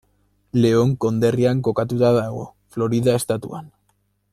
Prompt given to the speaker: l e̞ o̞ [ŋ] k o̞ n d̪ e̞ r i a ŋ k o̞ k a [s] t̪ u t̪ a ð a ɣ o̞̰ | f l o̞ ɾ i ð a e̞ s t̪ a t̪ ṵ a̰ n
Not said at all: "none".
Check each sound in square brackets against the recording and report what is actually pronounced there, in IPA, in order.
ŋ, none

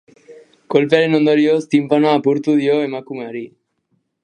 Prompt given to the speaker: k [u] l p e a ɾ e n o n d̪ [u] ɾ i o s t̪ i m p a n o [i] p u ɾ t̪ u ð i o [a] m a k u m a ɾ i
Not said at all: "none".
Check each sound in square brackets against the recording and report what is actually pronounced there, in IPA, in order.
o, o, a, e

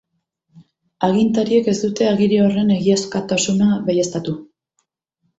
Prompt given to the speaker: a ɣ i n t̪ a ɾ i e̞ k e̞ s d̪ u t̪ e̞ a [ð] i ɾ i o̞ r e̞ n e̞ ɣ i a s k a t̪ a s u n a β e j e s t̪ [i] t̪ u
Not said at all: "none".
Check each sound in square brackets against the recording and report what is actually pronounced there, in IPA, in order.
ɣ, a

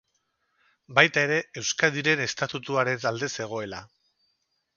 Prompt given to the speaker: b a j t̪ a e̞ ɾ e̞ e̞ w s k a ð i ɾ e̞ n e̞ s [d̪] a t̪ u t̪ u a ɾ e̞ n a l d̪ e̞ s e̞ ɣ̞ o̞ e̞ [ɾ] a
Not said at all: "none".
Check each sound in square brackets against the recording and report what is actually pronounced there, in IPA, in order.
t̪, l

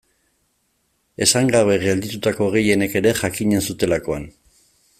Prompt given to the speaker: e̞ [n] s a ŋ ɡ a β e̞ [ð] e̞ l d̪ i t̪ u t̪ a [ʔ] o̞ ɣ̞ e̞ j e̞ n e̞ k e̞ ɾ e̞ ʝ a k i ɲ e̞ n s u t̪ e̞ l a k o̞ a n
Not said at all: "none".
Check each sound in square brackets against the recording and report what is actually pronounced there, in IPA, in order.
none, ɣ, k

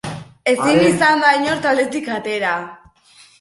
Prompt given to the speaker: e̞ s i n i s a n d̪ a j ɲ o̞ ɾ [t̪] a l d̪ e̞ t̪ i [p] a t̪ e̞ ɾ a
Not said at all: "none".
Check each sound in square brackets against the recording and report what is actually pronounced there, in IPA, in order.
t̪, k

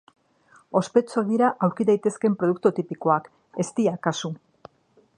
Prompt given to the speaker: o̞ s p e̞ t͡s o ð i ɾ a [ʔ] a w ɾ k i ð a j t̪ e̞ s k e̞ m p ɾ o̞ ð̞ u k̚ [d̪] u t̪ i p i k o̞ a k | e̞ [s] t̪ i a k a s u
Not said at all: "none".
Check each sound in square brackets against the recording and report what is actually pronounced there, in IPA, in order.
ʔ, t̪, s

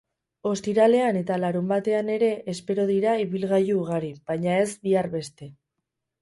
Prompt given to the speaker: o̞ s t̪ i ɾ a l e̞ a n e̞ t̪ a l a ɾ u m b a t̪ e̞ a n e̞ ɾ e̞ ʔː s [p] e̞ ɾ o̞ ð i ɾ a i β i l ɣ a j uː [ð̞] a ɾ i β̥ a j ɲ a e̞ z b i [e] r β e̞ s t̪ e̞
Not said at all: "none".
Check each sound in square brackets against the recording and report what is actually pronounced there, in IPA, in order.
p, ɣ̞, a

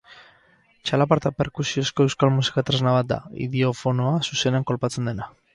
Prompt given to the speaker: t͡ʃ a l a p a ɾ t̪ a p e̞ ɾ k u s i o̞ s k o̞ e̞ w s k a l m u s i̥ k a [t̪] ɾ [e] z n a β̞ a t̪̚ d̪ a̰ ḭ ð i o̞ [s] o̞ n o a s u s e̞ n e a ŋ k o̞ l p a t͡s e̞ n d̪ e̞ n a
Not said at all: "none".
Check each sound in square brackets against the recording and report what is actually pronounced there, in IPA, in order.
t̪, e, f

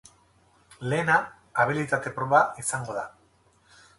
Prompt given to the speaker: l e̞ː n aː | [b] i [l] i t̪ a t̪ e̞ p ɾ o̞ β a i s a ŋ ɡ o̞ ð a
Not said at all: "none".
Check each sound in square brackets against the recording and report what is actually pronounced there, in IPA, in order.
β, l

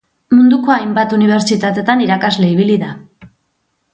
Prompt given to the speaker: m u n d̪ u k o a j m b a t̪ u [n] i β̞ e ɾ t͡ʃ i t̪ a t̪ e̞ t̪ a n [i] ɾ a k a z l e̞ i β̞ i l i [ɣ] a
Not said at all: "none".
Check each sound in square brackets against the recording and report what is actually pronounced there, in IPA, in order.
n, i, ð

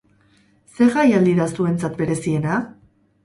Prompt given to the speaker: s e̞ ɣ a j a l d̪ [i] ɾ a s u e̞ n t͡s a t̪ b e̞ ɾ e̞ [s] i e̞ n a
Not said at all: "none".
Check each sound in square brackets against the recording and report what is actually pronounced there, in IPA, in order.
i, s

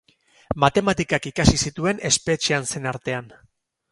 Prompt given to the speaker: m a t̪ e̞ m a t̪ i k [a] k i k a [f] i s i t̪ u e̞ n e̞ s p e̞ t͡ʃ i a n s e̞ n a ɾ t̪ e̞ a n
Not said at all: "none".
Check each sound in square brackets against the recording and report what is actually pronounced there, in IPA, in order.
a, s

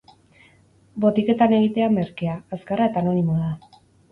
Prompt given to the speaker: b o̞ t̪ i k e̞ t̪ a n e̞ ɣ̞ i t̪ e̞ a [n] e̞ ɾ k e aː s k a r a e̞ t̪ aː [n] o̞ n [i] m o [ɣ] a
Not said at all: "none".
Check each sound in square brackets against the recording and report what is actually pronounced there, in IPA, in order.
m, n, i, ð

